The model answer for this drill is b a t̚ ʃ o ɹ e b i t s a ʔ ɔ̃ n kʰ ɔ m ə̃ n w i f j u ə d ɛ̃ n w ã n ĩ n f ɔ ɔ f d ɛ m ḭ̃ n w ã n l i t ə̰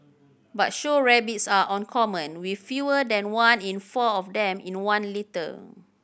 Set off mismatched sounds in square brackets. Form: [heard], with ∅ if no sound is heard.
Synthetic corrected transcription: b a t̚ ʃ o ɹ [ɛ] b i t s a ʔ ɔ̃ n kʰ ɔ m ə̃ n w i f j u ə d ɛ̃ n w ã n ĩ n f ɔ ɔ f d [ɛ̃] m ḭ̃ n w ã n l i t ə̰